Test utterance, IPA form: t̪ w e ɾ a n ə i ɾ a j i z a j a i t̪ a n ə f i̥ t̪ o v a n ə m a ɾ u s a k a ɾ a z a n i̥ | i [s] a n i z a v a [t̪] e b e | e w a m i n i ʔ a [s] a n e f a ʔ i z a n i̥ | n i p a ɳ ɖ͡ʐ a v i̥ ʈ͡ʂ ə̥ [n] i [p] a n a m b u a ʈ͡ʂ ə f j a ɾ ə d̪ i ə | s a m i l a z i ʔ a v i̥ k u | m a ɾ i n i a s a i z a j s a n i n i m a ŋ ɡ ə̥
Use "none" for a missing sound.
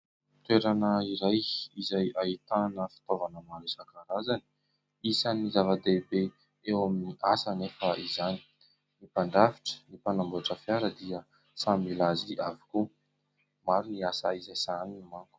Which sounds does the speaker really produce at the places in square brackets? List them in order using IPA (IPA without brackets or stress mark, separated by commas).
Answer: s, d̪, s, n, p